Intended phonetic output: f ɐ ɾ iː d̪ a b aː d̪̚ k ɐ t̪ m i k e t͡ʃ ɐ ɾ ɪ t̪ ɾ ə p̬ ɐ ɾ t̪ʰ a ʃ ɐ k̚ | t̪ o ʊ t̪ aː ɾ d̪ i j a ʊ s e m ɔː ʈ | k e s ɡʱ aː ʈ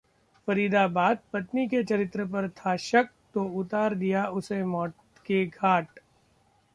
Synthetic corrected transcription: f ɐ ɾ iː d̪ a b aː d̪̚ p ɐ t̪ n i k e t͡ʃ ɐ ɾ ɪ t̪ ɾ ə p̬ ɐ ɾ t̪ʰ a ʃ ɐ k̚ | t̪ o ʊ t̪ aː ɾ d̪ i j a ʊ s e m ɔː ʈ | k e ɡʱ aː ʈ